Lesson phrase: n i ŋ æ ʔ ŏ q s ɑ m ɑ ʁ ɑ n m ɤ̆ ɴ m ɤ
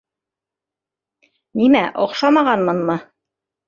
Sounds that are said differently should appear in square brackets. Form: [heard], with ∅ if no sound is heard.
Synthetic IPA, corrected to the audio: n i [m] æ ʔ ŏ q [ʃ] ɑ m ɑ ʁ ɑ n m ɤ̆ [n] m ɤ